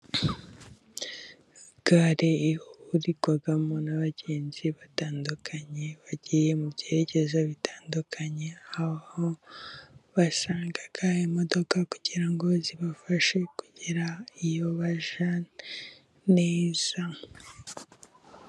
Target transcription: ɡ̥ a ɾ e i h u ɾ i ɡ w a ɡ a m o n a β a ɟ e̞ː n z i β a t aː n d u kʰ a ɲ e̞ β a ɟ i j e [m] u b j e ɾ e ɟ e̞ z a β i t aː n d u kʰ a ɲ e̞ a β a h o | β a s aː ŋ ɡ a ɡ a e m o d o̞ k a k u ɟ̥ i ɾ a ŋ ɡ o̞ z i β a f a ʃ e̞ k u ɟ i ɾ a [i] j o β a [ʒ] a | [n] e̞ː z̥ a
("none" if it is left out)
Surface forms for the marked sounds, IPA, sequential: m, i, ʒ, n

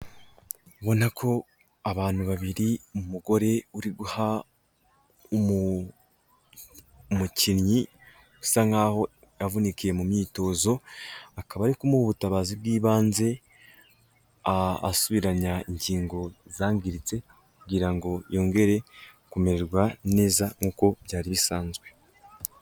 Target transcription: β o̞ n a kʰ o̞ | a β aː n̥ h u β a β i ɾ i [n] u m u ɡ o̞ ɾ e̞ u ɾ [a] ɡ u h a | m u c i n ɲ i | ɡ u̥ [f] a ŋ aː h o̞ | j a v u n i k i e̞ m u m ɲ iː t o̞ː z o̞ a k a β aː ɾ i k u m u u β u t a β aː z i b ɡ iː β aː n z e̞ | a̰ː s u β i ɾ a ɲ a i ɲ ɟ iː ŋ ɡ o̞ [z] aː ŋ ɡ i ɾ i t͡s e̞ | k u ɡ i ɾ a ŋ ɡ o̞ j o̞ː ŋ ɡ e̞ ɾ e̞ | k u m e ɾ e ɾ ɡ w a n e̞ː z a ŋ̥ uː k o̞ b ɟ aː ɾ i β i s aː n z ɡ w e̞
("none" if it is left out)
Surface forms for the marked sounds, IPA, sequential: m, i, s, z

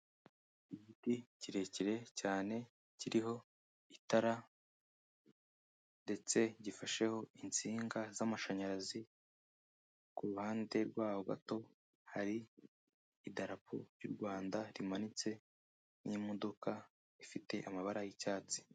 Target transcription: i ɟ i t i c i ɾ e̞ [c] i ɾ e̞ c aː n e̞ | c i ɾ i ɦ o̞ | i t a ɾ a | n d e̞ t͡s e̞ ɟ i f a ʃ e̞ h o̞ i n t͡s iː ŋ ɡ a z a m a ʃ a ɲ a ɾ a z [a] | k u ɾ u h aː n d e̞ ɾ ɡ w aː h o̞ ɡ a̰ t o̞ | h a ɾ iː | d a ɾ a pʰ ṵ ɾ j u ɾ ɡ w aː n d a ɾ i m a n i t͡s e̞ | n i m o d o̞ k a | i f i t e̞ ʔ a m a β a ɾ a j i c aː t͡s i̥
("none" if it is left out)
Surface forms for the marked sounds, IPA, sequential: c, i

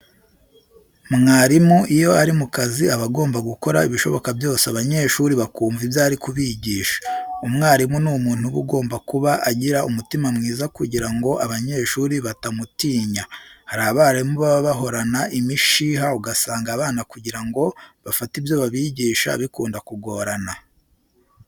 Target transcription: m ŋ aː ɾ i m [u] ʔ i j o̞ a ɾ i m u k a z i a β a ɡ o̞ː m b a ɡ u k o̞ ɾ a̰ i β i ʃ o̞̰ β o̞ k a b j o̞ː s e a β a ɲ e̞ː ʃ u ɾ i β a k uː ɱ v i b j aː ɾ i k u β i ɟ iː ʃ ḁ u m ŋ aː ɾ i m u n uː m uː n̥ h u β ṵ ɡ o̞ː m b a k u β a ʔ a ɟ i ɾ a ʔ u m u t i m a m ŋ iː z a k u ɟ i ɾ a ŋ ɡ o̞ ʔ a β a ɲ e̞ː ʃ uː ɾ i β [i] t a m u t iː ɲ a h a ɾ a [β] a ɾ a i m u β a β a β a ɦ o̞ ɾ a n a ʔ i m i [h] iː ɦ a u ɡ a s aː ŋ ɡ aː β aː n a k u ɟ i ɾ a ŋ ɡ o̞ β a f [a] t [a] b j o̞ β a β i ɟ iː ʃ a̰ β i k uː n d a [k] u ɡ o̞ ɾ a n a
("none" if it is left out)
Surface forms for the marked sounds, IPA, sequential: u, a, β, ʃ, a, i, k

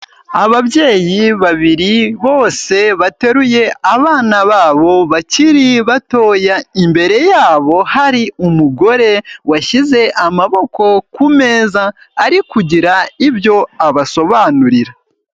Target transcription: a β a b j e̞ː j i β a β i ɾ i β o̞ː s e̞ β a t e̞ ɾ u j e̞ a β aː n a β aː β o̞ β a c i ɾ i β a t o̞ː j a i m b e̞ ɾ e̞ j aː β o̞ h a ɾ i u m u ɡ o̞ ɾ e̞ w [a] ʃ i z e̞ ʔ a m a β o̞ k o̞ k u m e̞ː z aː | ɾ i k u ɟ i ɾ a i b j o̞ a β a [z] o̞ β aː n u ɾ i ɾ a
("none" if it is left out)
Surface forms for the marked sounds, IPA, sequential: a, s

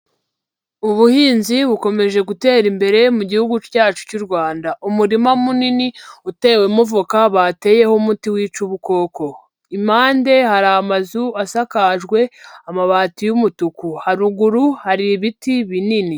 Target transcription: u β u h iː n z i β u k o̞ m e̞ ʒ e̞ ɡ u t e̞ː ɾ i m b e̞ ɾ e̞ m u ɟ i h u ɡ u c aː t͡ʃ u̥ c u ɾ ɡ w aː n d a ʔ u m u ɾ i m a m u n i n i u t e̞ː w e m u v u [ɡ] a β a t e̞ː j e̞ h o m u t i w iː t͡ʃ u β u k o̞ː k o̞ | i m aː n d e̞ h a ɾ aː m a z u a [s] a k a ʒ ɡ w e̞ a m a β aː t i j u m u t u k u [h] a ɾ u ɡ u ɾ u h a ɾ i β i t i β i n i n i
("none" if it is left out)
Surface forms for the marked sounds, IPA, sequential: k, s, h

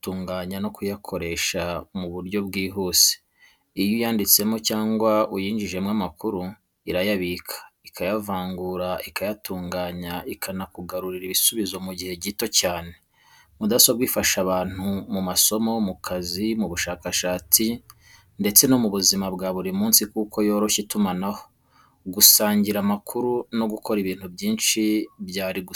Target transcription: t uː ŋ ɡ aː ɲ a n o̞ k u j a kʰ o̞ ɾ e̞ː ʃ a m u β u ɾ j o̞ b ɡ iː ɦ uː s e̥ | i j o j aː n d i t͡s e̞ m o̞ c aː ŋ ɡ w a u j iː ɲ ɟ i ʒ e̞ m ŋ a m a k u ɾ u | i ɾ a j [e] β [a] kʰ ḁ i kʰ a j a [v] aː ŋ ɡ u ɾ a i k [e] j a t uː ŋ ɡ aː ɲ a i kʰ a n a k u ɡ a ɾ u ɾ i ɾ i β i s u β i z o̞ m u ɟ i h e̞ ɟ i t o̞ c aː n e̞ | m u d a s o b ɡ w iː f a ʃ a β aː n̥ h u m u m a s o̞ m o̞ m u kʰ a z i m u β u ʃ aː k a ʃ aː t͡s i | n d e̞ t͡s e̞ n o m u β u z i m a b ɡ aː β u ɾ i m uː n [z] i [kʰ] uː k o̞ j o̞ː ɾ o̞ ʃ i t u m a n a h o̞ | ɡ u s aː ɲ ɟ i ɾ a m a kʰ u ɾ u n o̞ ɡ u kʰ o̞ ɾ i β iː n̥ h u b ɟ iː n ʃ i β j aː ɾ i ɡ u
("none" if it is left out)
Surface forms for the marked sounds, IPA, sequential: a, i, v, a, s, k

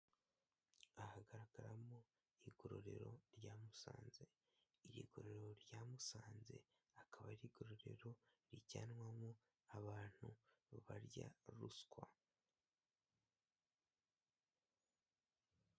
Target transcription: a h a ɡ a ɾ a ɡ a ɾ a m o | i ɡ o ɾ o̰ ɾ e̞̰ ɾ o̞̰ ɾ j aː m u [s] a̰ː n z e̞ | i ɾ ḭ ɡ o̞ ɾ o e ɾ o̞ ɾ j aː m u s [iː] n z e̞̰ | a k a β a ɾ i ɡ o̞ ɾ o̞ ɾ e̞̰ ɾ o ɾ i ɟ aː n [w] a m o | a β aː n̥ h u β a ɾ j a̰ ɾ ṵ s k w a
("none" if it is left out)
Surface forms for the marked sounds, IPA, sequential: s, aː, w

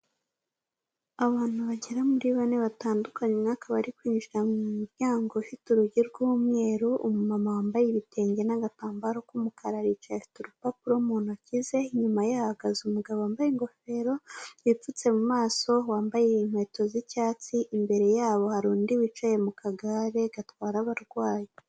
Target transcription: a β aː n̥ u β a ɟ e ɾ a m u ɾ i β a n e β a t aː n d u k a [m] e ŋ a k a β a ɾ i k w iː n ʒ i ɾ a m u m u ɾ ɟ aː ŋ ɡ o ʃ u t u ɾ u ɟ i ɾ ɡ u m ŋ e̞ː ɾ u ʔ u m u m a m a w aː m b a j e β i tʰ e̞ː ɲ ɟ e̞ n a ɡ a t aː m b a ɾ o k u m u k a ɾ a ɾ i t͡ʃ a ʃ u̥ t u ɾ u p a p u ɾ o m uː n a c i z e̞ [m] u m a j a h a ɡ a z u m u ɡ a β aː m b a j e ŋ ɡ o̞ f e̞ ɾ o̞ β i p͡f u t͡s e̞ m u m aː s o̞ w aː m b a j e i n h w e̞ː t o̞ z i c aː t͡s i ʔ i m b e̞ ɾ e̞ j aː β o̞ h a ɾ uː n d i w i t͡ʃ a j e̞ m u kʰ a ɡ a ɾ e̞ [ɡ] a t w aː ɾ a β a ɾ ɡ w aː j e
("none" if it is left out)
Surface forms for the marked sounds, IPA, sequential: ɲ, ɲ, ɡ

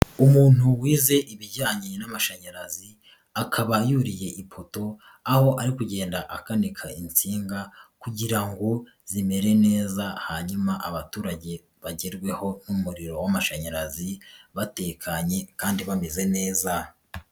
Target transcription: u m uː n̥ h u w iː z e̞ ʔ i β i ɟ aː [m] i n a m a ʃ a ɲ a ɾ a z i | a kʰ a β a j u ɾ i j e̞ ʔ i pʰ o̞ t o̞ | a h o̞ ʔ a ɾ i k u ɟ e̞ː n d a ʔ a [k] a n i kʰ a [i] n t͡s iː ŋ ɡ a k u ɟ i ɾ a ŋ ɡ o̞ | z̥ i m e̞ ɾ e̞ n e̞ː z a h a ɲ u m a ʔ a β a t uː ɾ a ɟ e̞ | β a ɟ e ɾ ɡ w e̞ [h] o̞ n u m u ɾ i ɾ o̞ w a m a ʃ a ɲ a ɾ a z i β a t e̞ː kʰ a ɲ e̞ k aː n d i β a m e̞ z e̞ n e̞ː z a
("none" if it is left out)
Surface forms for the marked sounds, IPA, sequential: ɲ, k, i, h

